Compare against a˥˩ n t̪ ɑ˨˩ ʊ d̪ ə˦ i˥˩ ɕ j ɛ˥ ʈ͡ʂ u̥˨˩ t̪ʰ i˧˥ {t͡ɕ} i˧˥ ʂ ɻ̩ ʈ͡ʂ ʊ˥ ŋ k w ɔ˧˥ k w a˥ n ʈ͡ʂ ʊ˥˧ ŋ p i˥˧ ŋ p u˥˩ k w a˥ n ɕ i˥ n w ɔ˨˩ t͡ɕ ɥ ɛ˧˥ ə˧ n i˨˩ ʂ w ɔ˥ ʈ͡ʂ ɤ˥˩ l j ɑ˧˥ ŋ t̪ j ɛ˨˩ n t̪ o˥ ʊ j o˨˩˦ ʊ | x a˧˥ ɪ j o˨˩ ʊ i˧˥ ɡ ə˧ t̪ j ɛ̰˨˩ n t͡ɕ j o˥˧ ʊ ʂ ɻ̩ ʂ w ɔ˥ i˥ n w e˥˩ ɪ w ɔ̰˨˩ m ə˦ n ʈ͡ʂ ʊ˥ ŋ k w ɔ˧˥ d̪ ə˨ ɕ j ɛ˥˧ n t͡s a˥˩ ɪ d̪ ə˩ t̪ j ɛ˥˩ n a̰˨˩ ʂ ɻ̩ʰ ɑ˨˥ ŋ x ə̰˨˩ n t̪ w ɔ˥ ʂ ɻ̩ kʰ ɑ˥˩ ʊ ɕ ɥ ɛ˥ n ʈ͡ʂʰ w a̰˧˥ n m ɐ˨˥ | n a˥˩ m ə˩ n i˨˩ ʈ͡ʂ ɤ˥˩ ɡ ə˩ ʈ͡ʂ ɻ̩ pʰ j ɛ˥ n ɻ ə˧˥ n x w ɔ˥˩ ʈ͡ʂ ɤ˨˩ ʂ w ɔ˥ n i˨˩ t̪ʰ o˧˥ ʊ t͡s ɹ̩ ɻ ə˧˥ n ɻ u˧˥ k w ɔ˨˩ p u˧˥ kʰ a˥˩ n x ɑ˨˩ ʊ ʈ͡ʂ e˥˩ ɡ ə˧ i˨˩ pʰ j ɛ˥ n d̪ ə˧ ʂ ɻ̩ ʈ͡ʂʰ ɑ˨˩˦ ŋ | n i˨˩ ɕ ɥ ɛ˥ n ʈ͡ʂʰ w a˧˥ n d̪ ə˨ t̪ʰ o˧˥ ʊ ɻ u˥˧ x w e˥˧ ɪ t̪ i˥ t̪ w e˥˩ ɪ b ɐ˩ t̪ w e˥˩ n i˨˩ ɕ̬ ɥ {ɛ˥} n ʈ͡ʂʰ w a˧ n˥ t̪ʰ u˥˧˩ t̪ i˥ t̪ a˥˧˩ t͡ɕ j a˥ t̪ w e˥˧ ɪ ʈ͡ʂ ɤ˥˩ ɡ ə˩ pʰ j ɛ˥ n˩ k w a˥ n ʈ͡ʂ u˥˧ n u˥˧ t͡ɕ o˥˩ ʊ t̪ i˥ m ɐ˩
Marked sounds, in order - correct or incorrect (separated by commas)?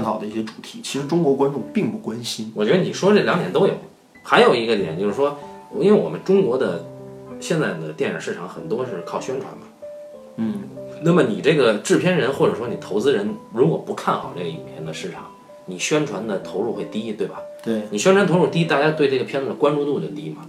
incorrect, correct